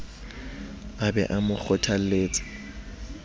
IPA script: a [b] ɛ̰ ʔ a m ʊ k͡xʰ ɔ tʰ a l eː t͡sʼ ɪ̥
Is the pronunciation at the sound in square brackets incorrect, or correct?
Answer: correct